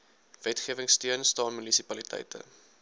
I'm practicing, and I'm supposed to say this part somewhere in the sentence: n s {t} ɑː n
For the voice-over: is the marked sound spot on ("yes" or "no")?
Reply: yes